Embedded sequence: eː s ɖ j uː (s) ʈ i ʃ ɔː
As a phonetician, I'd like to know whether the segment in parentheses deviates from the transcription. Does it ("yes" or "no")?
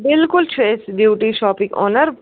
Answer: yes